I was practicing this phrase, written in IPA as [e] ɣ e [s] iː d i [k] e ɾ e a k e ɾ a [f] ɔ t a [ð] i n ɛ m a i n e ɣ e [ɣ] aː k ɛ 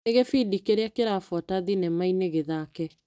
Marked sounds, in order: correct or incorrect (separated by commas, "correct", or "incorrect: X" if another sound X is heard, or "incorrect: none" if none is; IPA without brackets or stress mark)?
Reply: correct, incorrect: f, correct, correct, correct, incorrect: ð